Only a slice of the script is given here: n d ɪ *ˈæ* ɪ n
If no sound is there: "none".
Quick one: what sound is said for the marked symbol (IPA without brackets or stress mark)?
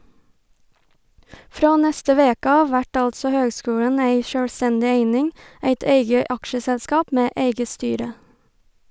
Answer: e